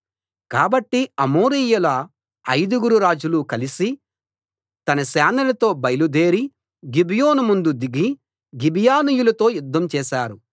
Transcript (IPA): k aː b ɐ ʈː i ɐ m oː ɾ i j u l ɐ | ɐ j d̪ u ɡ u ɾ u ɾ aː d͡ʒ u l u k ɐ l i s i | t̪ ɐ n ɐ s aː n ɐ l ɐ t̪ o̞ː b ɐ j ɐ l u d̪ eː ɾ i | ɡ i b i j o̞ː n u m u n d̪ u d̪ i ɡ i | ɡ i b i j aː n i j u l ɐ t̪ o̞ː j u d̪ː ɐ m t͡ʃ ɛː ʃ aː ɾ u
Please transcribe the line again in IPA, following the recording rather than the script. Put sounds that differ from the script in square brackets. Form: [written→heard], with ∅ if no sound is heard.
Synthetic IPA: k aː b ɐ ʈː i ɐ m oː ɾ i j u l ɐ | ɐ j d̪ u ɡ u ɾ u ɾ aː d͡ʒ u l u k ɐ l i s i | t̪ ɐ n ɐ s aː n ɐ l ɐ t̪ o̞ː b ɐ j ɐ l u d̪ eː ɾ i | ɡ i b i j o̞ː n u m u n d̪ u d̪ i ɡ i | ɡ i b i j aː n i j u l ɐ t̪ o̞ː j u d̪ː ɐ m t͡ʃ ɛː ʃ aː ɾ u

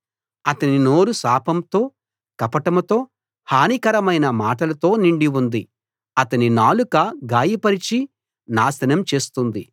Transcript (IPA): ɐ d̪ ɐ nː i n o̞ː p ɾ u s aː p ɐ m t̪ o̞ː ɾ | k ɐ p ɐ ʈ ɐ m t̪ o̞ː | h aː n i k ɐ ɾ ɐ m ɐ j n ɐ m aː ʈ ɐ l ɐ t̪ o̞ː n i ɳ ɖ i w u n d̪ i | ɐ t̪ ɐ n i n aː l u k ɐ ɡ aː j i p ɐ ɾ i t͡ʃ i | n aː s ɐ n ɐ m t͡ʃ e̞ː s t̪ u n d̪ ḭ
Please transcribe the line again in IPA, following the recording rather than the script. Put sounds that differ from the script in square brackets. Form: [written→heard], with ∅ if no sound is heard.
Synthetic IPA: ɐ [d̪→t̪] ɐ [nː→n] i n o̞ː [p→∅] ɾ u s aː p ɐ m t̪ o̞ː [ɾ→∅] | k ɐ p ɐ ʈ ɐ m t̪ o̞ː | h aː n i k ɐ ɾ ɐ m ɐ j n ɐ m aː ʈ ɐ l ɐ t̪ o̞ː n i ɳ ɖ i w u n d̪ i | ɐ t̪ ɐ n i n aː l u k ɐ ɡ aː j i p ɐ ɾ i t͡ʃ i | n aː s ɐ n ɐ m t͡ʃ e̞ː s t̪ u n d̪ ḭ

